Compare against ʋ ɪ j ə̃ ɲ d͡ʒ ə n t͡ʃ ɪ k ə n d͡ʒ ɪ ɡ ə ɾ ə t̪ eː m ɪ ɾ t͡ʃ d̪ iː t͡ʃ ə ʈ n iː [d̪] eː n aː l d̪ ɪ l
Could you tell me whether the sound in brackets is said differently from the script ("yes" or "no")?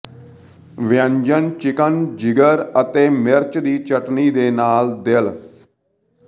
no